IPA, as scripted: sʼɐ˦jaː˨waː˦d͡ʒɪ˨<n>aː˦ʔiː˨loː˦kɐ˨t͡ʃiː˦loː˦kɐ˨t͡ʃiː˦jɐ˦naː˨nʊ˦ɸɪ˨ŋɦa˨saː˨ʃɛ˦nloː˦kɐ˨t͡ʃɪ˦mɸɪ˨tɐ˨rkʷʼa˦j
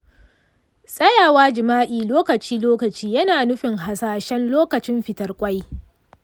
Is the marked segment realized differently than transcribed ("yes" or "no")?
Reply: yes